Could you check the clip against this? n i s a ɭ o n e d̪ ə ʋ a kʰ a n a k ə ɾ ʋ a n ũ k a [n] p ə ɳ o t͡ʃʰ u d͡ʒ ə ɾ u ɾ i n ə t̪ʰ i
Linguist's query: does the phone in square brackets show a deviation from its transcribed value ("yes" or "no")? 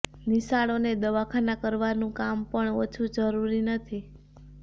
yes